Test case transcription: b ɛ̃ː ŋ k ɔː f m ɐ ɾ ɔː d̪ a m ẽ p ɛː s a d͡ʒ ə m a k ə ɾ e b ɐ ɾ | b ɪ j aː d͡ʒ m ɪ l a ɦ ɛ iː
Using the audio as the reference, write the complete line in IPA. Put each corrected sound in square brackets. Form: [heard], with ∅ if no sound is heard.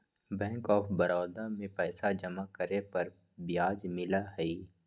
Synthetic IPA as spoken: b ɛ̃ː ŋ k ɔː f [b] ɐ ɾ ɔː d̪ a m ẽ p ɛː s a d͡ʒ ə m a k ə ɾ e [p] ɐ ɾ | b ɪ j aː d͡ʒ m ɪ l a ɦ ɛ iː